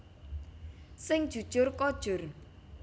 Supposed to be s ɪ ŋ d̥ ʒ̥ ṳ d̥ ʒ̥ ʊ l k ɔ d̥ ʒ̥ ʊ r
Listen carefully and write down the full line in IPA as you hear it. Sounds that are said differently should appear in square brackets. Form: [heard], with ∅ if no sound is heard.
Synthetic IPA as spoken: s ɪ ŋ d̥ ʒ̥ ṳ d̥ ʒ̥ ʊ [r] k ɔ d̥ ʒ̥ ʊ r